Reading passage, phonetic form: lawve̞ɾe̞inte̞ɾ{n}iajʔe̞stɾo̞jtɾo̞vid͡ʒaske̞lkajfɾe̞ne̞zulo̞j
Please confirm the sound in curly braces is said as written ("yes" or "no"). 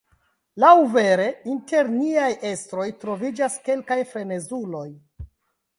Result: yes